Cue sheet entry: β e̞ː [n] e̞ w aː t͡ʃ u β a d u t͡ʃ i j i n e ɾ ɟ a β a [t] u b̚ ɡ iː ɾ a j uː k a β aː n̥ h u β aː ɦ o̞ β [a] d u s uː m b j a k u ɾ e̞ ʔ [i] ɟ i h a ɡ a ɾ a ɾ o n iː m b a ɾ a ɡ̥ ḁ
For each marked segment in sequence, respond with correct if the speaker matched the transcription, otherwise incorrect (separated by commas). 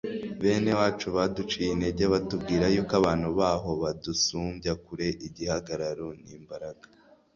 correct, correct, correct, correct